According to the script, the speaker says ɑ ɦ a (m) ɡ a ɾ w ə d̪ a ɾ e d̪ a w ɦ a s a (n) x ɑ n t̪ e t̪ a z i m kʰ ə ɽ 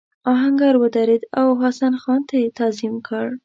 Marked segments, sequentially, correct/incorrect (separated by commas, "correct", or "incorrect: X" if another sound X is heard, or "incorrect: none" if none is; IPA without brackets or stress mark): incorrect: ŋ, correct